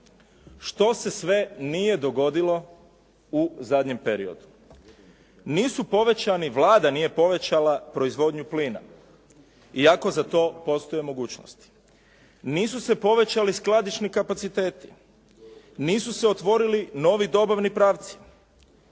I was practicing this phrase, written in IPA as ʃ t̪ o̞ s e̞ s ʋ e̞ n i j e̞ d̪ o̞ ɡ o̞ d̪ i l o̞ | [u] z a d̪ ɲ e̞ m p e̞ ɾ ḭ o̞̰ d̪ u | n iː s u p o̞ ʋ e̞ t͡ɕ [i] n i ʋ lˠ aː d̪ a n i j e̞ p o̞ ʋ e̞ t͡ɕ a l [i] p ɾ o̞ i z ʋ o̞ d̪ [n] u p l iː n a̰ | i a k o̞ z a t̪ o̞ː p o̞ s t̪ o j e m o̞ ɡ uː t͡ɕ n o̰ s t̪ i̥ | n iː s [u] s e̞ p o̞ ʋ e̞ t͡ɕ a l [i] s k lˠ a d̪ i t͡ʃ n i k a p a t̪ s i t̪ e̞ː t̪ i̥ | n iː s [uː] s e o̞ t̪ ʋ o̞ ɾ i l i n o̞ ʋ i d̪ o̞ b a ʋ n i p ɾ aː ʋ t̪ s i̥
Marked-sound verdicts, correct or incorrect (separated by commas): correct, incorrect, incorrect, incorrect, correct, correct, incorrect